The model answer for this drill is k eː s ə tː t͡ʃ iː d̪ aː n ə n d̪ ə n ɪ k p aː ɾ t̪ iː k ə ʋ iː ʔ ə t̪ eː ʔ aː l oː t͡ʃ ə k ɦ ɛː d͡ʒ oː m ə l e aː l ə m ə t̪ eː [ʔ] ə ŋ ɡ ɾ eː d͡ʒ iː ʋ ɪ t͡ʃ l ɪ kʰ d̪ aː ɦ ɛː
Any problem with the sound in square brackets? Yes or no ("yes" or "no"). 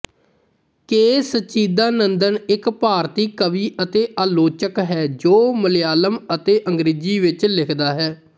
no